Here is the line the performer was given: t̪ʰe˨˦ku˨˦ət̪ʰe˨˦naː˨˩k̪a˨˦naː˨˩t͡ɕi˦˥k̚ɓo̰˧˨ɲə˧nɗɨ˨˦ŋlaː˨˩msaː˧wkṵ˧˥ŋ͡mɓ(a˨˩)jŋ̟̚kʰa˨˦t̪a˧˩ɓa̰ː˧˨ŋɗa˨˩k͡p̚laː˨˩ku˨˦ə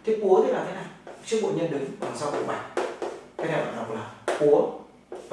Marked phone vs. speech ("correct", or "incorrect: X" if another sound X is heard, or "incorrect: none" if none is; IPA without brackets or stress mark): correct